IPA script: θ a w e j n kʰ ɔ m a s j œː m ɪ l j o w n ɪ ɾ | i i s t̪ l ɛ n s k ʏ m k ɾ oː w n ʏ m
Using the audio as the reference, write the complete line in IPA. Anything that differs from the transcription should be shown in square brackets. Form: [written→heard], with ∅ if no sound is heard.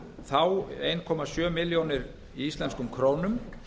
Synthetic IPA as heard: θ a w e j n kʰ ɔ m a s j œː m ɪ l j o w n ɪ ɾ | i i s t̪ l ɛ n s k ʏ m [k→kʰ] ɾ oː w n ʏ m